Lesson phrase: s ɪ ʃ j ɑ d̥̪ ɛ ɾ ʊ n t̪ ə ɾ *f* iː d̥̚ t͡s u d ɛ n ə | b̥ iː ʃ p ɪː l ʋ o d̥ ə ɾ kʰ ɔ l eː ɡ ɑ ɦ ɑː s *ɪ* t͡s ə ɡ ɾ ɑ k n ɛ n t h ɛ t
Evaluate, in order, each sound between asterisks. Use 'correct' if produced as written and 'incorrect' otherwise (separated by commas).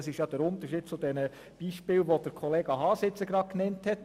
incorrect, correct